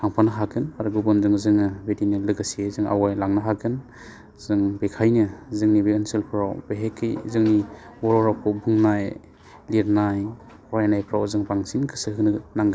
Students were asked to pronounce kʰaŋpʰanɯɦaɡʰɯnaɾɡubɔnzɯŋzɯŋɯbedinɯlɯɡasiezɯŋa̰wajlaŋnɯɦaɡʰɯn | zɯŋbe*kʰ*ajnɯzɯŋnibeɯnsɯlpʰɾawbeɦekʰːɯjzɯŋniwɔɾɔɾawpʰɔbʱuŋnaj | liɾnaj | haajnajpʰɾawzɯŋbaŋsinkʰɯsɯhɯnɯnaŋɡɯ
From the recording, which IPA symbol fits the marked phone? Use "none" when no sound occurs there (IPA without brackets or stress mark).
kʰ